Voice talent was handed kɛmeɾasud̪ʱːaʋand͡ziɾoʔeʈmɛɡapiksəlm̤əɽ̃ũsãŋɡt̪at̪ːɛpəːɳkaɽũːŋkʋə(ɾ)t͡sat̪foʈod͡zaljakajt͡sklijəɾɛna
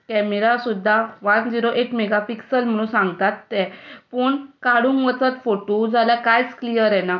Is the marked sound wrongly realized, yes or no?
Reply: yes